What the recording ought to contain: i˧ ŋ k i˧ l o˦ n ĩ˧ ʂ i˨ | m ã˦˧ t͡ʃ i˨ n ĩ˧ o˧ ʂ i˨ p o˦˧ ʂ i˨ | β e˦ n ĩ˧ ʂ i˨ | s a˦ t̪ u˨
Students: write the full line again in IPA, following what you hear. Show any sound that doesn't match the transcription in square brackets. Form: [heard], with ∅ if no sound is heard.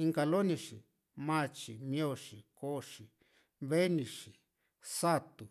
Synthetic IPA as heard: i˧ ŋ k [a˧] l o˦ n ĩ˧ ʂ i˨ | m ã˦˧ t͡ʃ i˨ [m] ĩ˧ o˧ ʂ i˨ [k] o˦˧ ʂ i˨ | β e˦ n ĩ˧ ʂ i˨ | s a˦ t̪ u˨